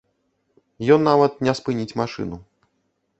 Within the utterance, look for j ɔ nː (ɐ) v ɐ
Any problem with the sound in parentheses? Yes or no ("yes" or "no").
yes